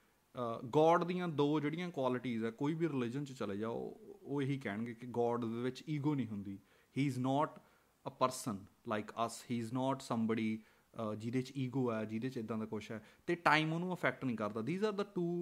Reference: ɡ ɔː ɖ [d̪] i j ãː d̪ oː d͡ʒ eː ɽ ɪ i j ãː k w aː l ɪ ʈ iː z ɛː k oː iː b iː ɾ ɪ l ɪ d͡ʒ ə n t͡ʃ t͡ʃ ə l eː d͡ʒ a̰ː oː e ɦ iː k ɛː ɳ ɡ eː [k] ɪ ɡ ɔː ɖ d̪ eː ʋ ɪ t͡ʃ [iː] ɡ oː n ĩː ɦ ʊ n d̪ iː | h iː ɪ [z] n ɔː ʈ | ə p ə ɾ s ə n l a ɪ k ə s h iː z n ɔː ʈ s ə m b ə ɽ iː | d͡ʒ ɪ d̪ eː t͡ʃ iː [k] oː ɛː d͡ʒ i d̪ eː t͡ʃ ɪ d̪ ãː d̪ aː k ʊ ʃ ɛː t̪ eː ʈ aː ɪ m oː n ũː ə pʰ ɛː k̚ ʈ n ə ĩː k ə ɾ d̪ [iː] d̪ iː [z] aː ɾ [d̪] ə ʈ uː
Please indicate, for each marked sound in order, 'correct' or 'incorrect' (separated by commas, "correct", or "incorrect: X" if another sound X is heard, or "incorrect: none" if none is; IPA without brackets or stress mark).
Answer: correct, correct, correct, correct, incorrect: ɡ, incorrect: aː, correct, correct